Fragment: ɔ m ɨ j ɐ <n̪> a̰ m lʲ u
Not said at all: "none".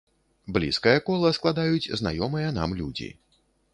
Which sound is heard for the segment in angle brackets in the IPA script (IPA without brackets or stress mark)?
n̪